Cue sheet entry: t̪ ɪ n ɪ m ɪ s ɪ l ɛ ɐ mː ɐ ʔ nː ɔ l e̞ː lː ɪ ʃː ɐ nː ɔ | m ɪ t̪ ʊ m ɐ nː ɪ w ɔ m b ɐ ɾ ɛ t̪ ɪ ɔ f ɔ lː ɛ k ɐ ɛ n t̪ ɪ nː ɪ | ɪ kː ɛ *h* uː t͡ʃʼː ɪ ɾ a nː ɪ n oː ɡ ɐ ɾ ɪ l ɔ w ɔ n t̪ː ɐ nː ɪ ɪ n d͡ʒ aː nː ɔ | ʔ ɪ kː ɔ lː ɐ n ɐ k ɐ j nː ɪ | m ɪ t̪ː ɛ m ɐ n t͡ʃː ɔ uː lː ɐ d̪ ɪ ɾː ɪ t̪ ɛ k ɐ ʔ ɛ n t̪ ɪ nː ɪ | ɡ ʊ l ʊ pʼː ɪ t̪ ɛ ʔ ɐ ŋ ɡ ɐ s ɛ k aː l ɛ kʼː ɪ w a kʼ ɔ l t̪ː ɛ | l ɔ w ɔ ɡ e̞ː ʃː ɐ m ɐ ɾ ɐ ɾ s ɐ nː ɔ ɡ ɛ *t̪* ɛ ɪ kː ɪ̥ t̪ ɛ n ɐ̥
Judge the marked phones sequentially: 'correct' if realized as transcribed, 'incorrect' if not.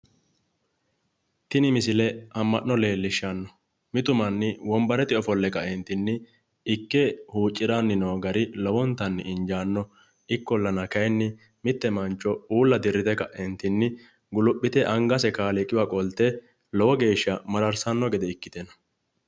correct, incorrect

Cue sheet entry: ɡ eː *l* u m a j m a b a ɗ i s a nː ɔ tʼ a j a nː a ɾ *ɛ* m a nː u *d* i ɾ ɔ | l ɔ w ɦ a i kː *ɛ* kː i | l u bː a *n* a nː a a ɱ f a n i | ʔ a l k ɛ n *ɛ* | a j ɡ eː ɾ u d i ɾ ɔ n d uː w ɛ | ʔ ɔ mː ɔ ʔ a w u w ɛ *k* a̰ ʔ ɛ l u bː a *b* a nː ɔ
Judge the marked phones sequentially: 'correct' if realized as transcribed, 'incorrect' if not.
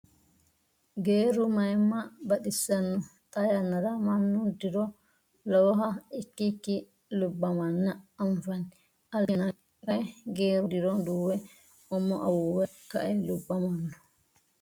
incorrect, incorrect, correct, incorrect, incorrect, incorrect, correct, incorrect

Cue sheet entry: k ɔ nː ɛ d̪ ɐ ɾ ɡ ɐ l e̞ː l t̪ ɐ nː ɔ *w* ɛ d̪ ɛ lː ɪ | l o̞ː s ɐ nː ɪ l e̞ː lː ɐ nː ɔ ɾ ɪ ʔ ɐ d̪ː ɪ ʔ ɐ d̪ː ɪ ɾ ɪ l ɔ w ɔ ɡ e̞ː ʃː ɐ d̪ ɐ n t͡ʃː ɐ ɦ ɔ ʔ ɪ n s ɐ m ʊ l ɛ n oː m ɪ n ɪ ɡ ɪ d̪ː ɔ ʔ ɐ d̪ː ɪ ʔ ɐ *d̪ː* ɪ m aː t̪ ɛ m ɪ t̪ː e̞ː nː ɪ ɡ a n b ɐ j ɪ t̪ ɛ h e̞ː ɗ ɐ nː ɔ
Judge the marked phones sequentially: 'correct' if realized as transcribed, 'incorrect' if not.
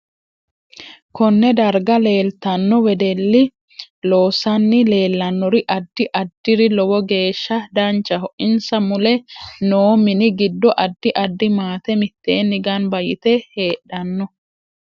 correct, correct

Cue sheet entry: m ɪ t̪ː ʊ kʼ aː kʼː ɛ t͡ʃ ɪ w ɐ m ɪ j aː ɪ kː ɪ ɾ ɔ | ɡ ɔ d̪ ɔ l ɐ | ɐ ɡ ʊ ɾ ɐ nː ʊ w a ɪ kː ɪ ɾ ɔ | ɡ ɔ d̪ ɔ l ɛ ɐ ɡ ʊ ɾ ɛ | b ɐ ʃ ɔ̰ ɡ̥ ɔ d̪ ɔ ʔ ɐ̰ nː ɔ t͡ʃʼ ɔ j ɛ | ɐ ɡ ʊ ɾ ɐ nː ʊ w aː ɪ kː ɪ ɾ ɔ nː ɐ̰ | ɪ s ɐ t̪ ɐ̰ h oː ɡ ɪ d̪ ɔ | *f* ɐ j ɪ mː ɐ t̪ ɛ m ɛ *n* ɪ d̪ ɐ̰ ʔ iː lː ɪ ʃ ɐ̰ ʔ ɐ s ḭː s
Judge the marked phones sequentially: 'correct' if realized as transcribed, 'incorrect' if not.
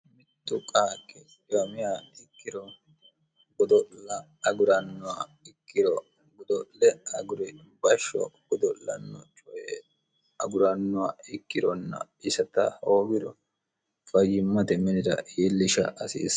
correct, correct

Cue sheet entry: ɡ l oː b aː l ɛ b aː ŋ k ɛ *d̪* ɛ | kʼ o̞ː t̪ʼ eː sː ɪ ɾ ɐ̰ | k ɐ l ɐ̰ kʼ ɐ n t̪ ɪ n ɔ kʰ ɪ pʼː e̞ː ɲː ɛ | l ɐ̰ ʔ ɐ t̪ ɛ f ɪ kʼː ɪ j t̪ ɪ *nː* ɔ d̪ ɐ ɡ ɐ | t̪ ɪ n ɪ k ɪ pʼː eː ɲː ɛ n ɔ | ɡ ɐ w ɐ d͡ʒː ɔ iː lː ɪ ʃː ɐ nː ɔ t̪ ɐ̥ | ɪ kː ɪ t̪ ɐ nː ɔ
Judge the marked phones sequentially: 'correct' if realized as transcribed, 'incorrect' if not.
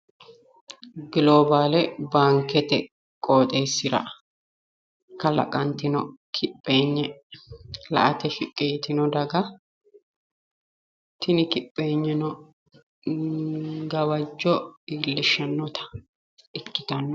incorrect, incorrect

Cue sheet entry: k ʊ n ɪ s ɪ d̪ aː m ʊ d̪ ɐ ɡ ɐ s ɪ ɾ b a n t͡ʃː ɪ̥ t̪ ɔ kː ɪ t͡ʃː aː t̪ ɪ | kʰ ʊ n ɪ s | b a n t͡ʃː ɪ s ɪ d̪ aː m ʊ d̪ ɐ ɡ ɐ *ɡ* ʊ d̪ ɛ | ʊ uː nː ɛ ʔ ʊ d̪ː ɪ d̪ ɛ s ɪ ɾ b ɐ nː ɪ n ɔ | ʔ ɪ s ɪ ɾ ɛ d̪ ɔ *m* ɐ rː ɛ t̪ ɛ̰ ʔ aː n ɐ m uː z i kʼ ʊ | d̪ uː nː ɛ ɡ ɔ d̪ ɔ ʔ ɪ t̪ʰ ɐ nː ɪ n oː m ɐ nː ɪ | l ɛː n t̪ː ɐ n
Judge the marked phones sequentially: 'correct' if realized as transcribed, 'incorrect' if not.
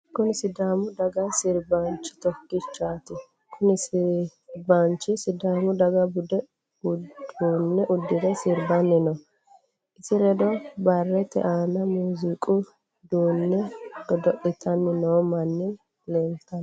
incorrect, incorrect

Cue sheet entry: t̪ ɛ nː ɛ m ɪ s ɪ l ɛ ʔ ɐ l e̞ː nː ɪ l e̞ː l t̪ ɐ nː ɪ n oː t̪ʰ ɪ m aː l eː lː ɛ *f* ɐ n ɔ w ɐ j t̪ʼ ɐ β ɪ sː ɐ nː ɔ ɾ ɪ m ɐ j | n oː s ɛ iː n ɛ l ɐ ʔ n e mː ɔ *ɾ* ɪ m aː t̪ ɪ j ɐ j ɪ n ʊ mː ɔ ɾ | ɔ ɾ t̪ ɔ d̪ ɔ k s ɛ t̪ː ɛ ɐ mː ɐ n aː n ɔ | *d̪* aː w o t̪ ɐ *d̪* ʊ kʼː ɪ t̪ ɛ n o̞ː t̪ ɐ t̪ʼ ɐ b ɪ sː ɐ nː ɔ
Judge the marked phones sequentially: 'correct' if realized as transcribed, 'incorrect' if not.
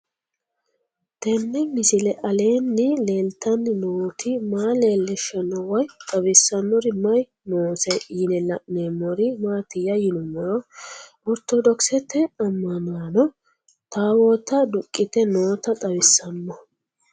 incorrect, correct, incorrect, correct

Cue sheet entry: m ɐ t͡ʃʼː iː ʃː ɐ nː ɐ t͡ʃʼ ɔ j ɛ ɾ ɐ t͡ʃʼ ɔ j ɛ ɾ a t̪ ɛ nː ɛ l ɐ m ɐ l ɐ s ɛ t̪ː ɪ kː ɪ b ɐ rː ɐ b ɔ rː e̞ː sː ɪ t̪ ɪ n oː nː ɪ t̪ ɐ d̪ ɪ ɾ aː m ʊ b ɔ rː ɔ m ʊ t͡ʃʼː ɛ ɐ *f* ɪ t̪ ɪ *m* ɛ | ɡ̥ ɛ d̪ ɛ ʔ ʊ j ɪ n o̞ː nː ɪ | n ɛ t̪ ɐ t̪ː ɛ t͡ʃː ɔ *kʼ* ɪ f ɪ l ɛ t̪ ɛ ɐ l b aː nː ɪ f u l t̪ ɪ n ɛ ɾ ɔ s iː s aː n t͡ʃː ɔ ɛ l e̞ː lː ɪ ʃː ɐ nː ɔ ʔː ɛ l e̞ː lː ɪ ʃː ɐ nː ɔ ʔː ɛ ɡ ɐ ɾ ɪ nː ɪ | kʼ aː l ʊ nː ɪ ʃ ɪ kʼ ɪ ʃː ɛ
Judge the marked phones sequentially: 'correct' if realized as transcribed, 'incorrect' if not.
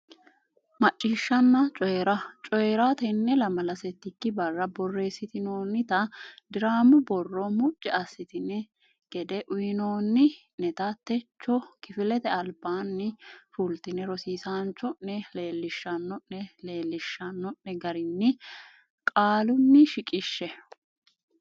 incorrect, incorrect, incorrect

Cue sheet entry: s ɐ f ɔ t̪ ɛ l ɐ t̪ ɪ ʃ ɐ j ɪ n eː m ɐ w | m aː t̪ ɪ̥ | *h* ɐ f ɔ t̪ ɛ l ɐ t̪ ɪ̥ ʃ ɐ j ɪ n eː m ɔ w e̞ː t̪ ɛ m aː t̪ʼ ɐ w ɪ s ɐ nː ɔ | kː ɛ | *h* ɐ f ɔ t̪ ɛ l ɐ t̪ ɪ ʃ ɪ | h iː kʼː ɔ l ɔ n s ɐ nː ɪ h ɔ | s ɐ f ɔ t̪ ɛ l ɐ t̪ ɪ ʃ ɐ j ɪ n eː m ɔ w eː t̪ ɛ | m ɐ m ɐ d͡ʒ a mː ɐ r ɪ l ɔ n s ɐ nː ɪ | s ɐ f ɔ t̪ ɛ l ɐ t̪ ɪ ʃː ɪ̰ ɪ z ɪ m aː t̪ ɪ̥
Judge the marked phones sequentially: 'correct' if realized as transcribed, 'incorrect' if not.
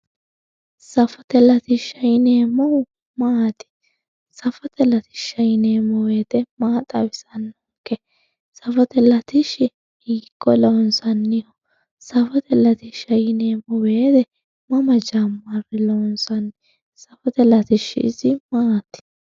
incorrect, incorrect

